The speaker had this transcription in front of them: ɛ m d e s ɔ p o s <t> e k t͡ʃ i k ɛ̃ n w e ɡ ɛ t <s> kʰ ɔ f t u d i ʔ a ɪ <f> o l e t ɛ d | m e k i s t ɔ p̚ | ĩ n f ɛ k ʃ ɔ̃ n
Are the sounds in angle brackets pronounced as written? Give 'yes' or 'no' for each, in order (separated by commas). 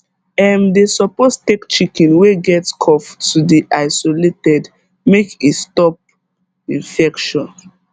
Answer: yes, yes, no